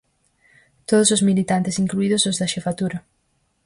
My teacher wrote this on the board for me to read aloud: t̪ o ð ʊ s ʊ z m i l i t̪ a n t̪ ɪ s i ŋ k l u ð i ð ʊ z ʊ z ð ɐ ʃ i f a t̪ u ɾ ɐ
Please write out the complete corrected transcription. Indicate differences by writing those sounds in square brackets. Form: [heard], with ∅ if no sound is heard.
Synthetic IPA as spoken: t̪ o ð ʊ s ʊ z m i l i t̪ a n t̪ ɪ s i ŋ k l u [∅] i ð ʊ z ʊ z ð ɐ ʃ [e] f a t̪ u ɾ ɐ

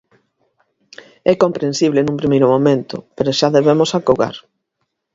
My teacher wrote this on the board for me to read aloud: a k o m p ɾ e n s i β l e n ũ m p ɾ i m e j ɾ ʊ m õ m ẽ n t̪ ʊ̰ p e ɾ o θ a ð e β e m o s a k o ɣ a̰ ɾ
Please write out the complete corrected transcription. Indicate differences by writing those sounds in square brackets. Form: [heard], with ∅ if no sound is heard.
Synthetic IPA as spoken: [ɛ] k o m p ɾ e n s i β l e n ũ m p ɾ i m e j ɾ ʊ m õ m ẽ n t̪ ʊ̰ p e ɾ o [ʃ] a ð e β e m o s a k o ɣ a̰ ɾ

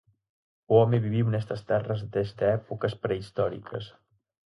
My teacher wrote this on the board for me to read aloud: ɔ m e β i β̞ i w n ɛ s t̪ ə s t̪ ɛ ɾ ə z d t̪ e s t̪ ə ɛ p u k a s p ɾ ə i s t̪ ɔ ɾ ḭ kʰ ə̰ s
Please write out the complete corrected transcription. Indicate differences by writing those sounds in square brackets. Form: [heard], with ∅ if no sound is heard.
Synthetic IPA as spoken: ɔ m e β i β̞ i w n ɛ s t̪ ə s t̪ ɛ [r] ə z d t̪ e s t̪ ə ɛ p u k [ə] s p ɾ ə i s t̪ ɔ ɾ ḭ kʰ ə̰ s

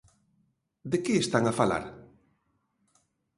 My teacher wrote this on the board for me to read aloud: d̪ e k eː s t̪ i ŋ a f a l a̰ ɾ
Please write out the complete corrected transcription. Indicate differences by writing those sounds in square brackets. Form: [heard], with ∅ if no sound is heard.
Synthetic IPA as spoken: d̪ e k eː s t̪ [a] ŋ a f a l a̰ ɾ

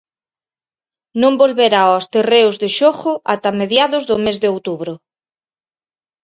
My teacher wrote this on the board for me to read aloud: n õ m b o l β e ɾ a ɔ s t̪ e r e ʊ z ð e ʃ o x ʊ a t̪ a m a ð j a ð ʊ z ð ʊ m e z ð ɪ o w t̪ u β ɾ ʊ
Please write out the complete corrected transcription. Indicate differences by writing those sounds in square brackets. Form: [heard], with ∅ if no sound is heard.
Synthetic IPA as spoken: n õ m b o l β e ɾ a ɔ s t̪ e r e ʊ z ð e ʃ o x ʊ a t̪ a m [e] ð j a ð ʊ z ð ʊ m e z ð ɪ o w t̪ u β ɾ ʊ

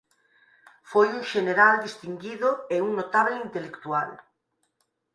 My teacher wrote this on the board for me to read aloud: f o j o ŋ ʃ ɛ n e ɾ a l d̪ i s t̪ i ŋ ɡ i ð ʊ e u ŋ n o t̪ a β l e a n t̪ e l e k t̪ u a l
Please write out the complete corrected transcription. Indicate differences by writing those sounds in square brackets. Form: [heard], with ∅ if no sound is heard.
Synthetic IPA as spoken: f o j [u] ŋ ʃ [e] n e ɾ a l d̪ i s t̪ i ŋ ɡ i ð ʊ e u ŋ n o t̪ a β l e [i] n t̪ e l e k t̪ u a l

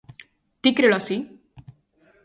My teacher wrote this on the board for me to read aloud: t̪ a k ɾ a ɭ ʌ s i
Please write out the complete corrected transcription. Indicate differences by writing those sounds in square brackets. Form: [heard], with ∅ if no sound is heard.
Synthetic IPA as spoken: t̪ [i] k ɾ [e] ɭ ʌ s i

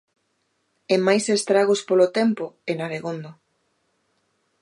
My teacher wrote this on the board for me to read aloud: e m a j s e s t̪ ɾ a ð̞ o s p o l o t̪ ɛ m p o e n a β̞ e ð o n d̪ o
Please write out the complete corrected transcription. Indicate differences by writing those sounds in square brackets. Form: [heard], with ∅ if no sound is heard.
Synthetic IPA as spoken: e m a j s e s t̪ ɾ a [ɣ̞] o s p o l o t̪ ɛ m p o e n a β̞ e [ɣ] o n d̪ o

